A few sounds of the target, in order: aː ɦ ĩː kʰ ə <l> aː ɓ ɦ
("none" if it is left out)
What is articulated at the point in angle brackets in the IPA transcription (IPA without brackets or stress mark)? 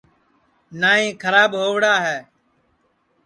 ɾ